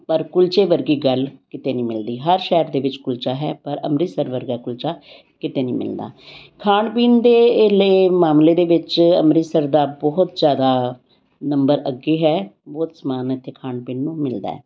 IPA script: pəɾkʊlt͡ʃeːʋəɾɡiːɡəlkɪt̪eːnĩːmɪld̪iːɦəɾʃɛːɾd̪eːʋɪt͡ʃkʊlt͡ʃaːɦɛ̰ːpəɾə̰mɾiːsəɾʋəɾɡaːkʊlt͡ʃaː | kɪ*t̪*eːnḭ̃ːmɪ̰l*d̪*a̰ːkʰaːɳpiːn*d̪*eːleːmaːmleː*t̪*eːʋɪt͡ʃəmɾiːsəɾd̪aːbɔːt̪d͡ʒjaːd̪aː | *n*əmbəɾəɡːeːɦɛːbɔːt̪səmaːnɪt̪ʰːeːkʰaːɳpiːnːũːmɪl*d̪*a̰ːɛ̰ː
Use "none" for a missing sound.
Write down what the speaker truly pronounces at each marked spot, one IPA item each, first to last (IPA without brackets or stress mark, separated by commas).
t̪, d̪, d̪, d̪, n, d̪